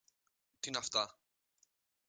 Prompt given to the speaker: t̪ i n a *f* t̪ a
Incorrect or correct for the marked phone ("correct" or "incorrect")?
correct